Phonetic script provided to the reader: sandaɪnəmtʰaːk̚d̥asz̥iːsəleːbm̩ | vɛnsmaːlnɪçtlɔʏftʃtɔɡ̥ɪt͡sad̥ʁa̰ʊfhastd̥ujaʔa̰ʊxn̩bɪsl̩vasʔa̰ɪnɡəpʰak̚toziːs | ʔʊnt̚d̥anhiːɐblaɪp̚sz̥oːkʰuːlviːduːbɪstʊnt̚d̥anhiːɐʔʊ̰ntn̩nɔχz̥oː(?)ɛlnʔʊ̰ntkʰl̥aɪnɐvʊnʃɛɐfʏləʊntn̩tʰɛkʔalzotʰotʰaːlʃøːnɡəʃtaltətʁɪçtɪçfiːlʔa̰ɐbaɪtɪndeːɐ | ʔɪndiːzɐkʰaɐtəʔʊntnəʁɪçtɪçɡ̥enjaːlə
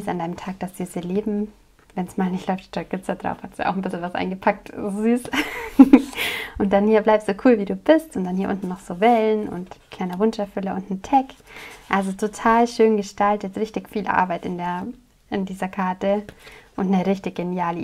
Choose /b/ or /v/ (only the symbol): v